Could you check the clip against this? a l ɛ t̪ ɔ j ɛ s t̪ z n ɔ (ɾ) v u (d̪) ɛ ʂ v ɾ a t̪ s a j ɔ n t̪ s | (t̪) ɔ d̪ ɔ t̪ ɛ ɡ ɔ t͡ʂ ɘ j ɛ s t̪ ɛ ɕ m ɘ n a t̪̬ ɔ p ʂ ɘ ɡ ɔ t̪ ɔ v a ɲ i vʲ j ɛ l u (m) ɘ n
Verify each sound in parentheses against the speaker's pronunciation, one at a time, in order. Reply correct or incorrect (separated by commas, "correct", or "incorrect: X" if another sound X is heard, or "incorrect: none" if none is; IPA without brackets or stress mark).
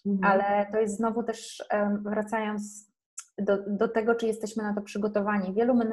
incorrect: none, incorrect: t̪, incorrect: d̪, correct